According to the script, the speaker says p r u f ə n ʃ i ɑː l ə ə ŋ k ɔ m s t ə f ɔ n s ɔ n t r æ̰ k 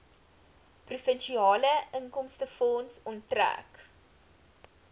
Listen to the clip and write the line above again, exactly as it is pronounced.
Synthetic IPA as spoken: p r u f ə n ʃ i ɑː l ə ə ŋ k ɔ m s t ə f ɔ n s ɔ n t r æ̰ k